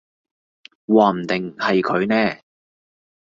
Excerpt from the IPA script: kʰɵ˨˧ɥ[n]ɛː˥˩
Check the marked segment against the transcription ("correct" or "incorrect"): correct